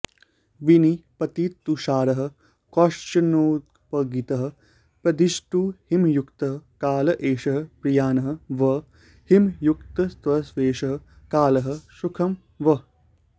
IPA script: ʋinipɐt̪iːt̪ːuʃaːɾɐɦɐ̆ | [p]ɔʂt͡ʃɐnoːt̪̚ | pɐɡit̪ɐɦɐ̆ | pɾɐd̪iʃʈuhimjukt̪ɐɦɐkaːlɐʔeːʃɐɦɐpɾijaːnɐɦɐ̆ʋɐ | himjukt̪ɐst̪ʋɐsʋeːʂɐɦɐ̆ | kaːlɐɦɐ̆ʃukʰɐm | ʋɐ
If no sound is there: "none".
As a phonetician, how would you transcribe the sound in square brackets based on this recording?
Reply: k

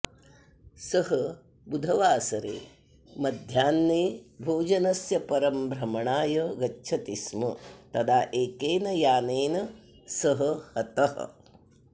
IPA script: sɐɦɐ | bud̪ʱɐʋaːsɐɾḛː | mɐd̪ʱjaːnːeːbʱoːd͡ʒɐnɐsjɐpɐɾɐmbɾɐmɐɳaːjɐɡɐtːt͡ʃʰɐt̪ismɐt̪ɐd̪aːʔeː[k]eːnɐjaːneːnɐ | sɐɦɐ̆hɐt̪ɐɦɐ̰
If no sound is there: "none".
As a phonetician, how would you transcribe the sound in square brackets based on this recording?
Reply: k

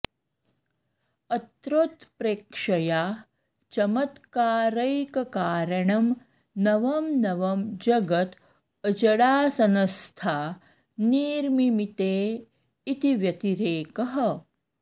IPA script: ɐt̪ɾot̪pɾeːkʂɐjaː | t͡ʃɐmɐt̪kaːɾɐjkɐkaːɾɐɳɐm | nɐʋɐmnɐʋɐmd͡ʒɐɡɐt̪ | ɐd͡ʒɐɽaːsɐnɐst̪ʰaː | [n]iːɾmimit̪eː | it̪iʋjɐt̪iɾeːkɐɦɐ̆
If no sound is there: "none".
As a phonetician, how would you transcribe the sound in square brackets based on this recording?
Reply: n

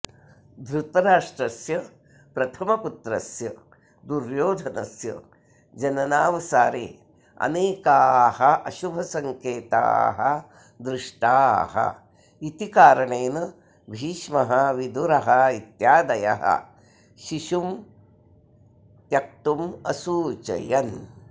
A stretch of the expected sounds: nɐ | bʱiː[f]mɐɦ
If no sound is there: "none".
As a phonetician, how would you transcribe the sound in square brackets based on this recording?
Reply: ʃ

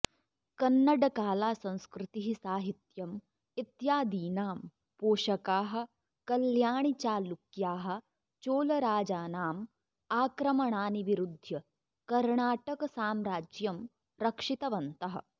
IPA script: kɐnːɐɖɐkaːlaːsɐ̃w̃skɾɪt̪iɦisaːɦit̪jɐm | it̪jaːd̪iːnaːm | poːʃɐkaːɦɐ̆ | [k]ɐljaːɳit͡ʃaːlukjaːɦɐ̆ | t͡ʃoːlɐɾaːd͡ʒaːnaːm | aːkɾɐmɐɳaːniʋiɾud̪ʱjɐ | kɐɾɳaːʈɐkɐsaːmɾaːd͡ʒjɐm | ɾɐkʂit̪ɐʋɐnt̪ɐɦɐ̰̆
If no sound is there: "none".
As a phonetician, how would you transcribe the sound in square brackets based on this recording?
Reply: k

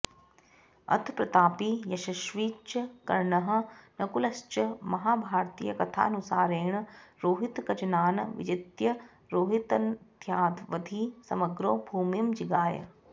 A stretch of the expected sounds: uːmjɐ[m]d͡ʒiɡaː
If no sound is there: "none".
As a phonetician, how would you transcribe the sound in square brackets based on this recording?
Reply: m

